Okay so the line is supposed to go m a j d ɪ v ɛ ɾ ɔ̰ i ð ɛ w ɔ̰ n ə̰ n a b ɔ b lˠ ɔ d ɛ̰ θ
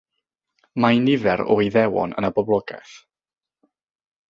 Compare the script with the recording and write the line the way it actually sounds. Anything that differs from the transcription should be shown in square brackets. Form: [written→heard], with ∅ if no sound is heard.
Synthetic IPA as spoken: m a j [d→n] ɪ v ɛ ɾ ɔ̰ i ð ɛ w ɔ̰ n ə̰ n a b ɔ b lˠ ɔ [d→ɡ] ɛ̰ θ